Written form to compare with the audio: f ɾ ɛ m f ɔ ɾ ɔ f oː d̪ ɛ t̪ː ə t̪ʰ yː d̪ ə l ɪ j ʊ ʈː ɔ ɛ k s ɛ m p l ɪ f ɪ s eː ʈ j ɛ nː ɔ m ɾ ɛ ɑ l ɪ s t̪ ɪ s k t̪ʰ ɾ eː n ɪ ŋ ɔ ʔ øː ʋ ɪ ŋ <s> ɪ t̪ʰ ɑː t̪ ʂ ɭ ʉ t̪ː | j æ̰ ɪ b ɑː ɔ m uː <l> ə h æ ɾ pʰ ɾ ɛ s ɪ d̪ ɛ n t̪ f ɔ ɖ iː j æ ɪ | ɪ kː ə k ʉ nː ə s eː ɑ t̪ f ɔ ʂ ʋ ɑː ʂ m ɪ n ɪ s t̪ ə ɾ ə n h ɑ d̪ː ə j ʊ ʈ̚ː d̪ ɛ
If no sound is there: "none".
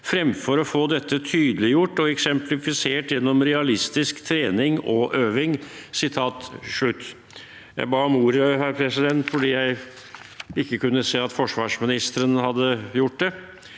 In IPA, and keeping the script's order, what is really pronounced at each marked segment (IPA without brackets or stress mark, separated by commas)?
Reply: s, ɾ